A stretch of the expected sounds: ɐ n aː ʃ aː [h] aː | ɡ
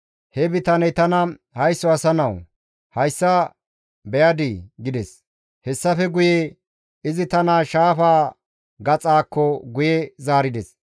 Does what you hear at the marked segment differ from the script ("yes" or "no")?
yes